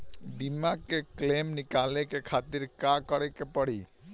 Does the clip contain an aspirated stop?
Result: yes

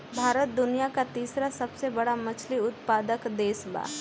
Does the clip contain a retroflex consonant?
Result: yes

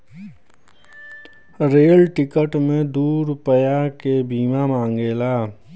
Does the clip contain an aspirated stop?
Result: no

